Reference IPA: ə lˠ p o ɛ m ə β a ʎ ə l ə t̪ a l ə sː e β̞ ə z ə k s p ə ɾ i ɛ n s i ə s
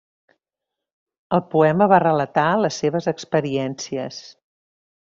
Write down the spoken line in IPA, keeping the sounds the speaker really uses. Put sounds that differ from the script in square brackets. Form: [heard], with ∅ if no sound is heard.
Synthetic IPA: ə lˠ p [u] ɛ m ə β a [r] ə l ə t̪ a l ə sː e β̞ ə z ə k s p ə ɾ i ɛ n s i ə s